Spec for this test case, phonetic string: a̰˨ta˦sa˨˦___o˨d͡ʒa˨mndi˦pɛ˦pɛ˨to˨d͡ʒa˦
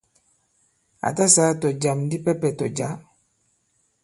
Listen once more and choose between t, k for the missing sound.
t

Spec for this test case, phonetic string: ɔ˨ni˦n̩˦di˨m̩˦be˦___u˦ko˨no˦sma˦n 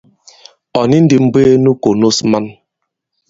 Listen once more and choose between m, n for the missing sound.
n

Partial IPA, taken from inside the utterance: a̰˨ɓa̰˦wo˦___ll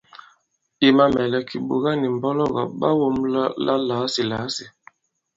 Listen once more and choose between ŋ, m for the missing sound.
m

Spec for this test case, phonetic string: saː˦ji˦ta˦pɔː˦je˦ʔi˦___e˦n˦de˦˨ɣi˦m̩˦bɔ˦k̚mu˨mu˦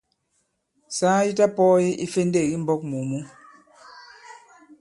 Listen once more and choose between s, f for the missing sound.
f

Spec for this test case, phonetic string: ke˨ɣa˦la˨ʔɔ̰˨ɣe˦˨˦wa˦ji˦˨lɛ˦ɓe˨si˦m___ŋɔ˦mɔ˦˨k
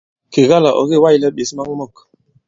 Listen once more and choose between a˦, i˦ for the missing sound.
a˦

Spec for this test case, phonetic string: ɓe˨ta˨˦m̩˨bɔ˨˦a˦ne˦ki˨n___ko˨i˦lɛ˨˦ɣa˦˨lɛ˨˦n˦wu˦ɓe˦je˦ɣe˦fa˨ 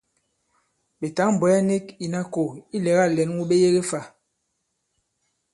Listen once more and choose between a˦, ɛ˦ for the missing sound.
a˦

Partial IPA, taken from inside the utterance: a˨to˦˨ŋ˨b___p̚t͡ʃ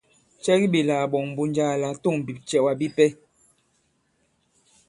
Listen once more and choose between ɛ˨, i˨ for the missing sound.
i˨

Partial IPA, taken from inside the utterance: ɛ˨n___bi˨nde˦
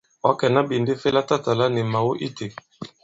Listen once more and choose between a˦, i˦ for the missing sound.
a˦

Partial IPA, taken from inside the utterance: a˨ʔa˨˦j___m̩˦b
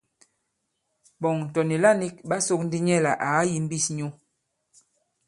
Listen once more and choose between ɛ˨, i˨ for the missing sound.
i˨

